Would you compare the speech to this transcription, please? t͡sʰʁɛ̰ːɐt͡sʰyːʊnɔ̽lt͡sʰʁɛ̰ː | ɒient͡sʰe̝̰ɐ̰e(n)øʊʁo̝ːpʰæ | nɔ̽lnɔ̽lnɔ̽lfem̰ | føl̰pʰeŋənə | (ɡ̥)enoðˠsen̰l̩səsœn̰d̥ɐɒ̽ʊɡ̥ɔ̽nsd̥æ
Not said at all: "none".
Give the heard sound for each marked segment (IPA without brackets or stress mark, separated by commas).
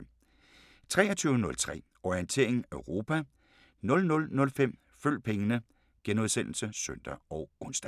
ŋ, ɡ̥